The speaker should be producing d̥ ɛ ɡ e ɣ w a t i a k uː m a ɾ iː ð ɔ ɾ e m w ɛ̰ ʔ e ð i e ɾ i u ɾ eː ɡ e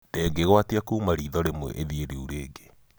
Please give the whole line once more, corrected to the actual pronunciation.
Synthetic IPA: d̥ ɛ ɡ e ɣ w a t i a k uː m a ɾ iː ð ɔ ɾ e m w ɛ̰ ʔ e ð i e ɾ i u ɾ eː ɡ e